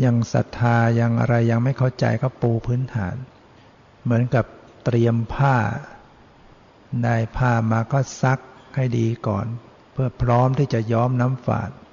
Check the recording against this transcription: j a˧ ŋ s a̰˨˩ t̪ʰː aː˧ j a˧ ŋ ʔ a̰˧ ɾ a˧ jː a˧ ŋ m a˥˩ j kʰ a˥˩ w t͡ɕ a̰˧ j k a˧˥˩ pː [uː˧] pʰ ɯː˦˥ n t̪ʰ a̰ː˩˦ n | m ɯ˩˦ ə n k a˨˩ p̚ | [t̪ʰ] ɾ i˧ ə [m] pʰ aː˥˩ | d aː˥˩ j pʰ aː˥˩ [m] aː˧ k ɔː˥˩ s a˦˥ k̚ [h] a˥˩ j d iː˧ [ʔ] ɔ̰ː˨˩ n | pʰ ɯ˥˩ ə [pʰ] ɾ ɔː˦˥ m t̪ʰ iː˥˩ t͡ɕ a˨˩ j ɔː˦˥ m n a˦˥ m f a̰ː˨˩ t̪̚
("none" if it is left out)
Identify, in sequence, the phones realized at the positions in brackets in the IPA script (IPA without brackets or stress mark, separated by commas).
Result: uː˧, t̪, m, m, h, k, pʰ